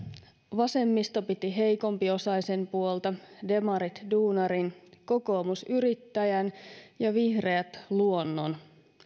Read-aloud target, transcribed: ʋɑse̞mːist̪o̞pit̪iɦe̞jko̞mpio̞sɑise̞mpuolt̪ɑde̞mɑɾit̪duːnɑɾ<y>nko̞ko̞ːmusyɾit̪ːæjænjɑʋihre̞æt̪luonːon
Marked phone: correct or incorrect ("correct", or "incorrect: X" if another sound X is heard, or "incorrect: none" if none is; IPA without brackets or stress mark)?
incorrect: i